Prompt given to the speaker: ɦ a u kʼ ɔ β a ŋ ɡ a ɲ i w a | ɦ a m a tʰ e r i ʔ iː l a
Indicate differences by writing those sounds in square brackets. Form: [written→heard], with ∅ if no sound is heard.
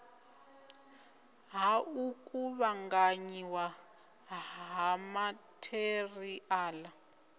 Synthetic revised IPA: ɦ a u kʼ [ɔ→u] β a ŋ ɡ a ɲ i w a | ɦ a m a tʰ e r i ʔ [iː→aː] l a